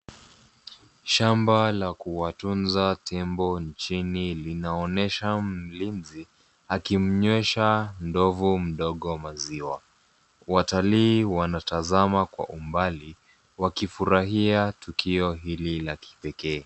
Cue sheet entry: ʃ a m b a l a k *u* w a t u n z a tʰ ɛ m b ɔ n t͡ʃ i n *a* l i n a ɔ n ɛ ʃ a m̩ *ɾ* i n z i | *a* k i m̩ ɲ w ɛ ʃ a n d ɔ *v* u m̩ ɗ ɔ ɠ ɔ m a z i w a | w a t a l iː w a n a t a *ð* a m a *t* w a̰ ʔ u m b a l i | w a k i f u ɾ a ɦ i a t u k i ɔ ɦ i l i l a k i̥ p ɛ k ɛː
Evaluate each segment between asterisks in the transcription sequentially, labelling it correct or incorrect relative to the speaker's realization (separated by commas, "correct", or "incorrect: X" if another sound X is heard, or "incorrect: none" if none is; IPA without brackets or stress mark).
correct, incorrect: i, incorrect: l, correct, correct, incorrect: z, incorrect: k